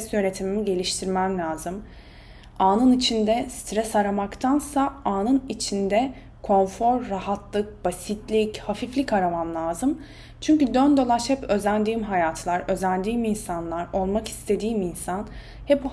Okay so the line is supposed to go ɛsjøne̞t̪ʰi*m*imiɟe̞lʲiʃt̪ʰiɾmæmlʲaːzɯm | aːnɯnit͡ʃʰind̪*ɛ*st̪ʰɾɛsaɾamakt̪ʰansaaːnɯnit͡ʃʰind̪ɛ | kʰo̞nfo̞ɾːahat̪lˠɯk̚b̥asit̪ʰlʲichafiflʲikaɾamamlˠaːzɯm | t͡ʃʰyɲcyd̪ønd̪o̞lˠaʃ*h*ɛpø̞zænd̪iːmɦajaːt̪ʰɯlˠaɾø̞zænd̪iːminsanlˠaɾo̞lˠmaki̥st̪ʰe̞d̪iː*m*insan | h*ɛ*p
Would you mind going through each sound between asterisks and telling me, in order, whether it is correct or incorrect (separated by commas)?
correct, correct, correct, correct, correct